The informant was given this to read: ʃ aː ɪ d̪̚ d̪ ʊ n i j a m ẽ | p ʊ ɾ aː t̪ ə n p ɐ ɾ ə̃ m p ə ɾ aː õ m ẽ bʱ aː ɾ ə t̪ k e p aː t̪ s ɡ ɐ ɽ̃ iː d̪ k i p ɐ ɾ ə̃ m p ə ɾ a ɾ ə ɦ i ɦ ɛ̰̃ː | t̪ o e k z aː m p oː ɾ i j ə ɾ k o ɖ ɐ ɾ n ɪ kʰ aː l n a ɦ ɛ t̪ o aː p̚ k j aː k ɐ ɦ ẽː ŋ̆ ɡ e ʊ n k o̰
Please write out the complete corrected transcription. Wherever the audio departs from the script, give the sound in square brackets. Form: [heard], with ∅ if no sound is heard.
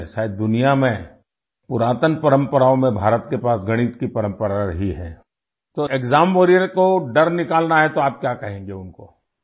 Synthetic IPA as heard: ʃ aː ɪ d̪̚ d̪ ʊ n i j a m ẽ | p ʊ ɾ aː t̪ ə n p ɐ ɾ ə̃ m p ə ɾ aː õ m ẽ bʱ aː ɾ ə t̪ k e p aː [∅] s ɡ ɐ ɽ̃ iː [t̪] k i p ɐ ɾ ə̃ m p ə ɾ a ɾ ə ɦ i ɦ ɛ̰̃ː | t̪ o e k z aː m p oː ɾ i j ə ɾ k o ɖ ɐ ɾ n ɪ [k] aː l n a ɦ ɛ t̪ o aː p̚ k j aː k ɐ ɦ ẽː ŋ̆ ɡ e ʊ n k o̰

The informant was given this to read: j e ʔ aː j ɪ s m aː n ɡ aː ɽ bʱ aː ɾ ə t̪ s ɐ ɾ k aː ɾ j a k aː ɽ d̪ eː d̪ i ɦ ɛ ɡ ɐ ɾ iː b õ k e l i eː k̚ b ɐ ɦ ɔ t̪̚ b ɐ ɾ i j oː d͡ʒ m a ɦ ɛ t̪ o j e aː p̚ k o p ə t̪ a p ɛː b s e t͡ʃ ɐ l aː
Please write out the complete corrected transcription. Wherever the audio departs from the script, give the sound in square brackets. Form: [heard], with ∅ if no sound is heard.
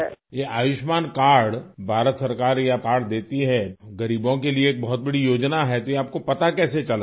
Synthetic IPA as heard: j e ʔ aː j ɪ [ʃ] m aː n [k] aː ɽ bʱ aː ɾ ə t̪ s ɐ ɾ k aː ɾ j a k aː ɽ d̪ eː [t̪] i ɦ ɛ ɡ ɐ ɾ iː b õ k e l i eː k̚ b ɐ ɦ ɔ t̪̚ b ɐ [ɽ] i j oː d͡ʒ [n] a ɦ ɛ t̪ o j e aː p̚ k o p [ɐ] t̪ a [k] ɛː [∅] s e t͡ʃ ɐ l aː

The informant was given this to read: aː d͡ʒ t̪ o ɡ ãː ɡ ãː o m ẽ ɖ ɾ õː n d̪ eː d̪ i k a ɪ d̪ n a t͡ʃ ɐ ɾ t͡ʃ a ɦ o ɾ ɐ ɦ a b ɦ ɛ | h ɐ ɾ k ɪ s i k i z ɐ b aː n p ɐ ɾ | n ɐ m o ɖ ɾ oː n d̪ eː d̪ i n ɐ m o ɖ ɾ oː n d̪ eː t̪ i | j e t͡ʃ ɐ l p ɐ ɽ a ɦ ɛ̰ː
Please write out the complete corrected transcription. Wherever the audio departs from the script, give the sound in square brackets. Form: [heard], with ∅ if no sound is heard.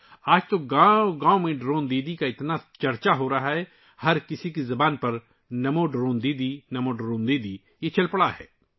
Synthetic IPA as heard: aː d͡ʒ t̪ o ɡ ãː ɡ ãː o m ẽ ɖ ɾ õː n d̪ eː d̪ i k a ɪ [t̪] n a t͡ʃ ɐ ɾ t͡ʃ a ɦ o ɾ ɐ ɦ a [∅] ɦ ɛ | h ɐ ɾ k ɪ s i k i z ɐ b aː n p ɐ ɾ | n ɐ m o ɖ ɾ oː n d̪ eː d̪ i n ɐ m o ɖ ɾ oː n d̪ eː [d̪] i | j e t͡ʃ ɐ l p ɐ ɽ a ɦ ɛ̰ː

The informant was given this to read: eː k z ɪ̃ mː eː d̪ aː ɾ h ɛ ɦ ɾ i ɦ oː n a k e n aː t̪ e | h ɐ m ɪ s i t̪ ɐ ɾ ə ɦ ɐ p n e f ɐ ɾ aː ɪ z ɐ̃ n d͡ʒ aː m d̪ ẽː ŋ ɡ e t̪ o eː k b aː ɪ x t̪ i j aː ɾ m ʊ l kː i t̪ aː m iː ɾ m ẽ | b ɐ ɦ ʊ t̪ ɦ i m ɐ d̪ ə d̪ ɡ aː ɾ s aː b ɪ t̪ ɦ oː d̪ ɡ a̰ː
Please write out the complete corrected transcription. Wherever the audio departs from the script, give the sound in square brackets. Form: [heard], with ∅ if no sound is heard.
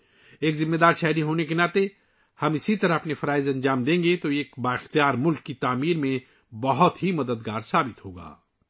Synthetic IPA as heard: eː k z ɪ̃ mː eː d̪ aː ɾ [ʃ] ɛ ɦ ɾ i ɦ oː n [e] k e n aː t̪ e | h ɐ m ɪ s i t̪ ɐ ɾ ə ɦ ɐ p n e f ɐ ɾ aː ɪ z ɐ̃ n d͡ʒ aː m d̪ ẽː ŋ ɡ e t̪ o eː k b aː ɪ x t̪ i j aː ɾ m ʊ l kː i t̪ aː m iː ɾ m ẽ | b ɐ ɦ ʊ t̪ ɦ i m ɐ d̪ ə d̪ ɡ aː ɾ s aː b ɪ t̪ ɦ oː [∅] ɡ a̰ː

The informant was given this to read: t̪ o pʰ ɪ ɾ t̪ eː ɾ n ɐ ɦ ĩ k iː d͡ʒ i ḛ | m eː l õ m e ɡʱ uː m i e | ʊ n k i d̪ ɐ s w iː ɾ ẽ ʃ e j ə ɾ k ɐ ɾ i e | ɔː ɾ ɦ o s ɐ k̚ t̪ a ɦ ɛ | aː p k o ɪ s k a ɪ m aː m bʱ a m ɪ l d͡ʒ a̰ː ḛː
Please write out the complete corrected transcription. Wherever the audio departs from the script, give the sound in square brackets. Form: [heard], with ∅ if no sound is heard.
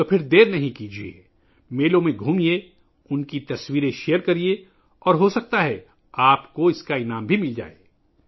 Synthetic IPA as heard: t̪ o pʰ ɪ ɾ [d̪] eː ɾ n ɐ ɦ ĩ k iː d͡ʒ i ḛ | m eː l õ m [ẽ] ɡʱ uː m i e | ʊ n k i [t̪] ɐ s w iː ɾ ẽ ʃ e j ə ɾ k ɐ ɾ i e | ɔː ɾ ɦ o s ɐ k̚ t̪ a ɦ ɛ | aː p k o ɪ s k a ɪ [n] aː m bʱ [i] m ɪ l d͡ʒ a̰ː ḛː

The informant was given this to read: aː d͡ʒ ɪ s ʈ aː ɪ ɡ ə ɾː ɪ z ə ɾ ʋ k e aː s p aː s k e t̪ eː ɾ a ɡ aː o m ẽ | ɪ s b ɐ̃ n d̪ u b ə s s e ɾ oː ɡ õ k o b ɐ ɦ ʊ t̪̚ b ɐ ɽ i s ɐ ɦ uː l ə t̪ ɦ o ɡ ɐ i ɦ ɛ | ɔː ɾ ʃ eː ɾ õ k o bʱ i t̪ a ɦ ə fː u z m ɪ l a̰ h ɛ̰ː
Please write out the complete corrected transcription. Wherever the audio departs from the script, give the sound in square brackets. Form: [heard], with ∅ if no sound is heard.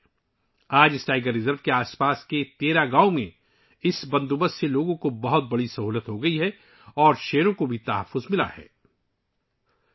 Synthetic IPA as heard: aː d͡ʒ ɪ s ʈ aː ɪ ɡ ə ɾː ɪ z ə ɾ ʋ k e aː s p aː s k e t̪ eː ɾ a ɡ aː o m ẽ | ɪ s b ɐ̃ n d̪ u b ə s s e [l] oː ɡ õ k o b ɐ ɦ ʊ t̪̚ b ɐ ɽ i s ɐ ɦ uː l ə t̪ ɦ o ɡ ɐ i ɦ ɛ | ɔː ɾ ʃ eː ɾ õ k o bʱ i t̪ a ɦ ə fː [ʊ] z m ɪ l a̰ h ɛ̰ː

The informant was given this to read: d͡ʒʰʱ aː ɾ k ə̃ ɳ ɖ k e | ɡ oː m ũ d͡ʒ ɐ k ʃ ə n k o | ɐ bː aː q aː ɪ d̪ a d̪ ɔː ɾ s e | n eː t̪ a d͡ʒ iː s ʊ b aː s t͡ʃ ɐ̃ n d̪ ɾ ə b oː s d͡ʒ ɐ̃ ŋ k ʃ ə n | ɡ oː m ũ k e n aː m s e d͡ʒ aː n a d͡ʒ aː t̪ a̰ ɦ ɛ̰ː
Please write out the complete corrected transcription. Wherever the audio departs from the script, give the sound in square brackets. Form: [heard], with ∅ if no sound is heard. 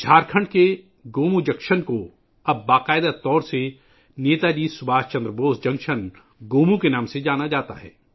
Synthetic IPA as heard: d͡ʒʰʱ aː ɾ [kʰ] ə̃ ɳ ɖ k e | ɡ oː m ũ d͡ʒ ɐ k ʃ ə n k o | ɐ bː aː q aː ɪ d̪ a [t̪] ɔː ɾ s e | n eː t̪ a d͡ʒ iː s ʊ b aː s t͡ʃ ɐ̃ n d̪ ɾ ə b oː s d͡ʒ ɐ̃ ŋ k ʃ ə n | ɡ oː m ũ k e n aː m s e d͡ʒ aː n a d͡ʒ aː t̪ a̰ ɦ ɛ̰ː

